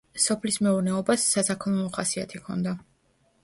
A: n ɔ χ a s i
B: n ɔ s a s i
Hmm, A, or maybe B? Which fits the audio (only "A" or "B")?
A